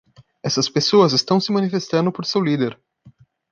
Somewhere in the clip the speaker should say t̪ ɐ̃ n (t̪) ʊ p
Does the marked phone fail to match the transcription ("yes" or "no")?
yes